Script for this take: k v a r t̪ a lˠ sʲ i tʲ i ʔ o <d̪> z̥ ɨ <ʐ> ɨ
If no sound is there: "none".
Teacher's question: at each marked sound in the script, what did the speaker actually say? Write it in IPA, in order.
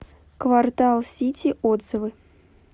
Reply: d̪, v

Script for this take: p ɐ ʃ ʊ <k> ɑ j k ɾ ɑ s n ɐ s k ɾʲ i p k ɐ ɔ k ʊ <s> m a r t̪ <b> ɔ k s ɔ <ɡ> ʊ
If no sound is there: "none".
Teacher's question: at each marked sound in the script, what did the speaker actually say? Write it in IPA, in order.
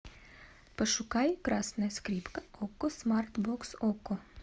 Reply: k, s, b, k

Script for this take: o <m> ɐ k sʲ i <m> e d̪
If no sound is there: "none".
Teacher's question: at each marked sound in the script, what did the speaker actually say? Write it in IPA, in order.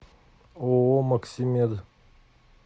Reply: m, m

